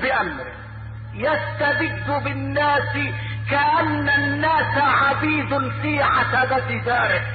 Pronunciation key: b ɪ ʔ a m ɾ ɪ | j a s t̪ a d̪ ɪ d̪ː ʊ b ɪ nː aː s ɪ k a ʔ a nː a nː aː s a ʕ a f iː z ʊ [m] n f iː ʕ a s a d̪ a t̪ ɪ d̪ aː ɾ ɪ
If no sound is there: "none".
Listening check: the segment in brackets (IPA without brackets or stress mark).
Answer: none